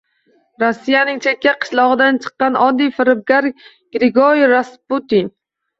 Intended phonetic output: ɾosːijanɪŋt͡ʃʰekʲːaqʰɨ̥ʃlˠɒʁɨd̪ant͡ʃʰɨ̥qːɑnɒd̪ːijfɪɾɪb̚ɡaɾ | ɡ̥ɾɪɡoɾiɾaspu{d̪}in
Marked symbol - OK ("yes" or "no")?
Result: no